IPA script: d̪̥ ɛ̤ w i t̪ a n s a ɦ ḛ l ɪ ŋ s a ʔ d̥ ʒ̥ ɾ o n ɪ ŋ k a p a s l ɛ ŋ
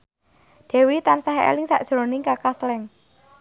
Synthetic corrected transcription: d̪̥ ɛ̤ w i t̪ a n s a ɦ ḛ l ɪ ŋ s a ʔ d̥ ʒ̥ ɾ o n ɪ ŋ k a k a s l ɛ ŋ